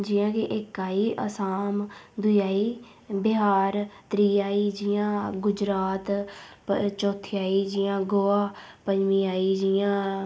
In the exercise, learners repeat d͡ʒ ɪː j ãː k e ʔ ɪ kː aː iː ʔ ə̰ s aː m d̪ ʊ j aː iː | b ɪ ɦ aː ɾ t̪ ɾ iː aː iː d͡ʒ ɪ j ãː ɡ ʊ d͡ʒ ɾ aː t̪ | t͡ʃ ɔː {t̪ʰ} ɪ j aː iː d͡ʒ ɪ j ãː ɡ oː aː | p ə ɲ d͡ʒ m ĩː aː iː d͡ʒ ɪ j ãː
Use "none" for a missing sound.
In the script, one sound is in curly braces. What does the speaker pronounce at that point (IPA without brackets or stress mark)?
t̪ʰ